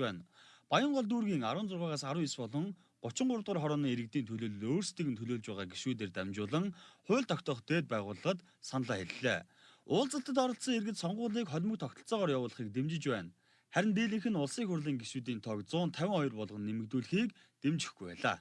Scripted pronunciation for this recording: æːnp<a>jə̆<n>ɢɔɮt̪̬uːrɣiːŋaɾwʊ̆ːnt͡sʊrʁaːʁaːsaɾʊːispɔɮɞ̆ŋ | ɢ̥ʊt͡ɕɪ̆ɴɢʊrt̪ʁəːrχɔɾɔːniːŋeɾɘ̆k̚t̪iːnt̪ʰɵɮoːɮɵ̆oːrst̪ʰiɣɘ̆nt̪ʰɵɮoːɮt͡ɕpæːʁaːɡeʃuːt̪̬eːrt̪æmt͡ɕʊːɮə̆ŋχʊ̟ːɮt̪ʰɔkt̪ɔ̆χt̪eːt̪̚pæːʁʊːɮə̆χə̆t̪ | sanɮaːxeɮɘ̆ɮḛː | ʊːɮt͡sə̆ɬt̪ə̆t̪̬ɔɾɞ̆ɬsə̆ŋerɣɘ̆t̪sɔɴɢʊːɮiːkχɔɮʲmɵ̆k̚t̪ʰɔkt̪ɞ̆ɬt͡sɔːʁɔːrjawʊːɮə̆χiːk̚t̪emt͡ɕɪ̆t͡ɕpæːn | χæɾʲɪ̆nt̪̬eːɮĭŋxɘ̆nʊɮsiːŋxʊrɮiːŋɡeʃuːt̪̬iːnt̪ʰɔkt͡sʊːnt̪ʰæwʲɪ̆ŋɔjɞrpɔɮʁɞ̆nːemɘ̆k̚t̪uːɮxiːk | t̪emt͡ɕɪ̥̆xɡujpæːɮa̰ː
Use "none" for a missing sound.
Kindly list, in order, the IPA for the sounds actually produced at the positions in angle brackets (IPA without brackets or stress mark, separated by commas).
a, ɴ